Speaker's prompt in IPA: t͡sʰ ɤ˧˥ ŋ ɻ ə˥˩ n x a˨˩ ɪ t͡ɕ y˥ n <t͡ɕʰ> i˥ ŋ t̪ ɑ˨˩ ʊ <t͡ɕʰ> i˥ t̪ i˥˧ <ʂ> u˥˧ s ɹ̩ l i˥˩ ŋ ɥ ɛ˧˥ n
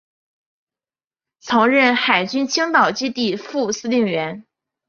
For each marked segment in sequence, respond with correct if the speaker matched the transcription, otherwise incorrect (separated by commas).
correct, incorrect, incorrect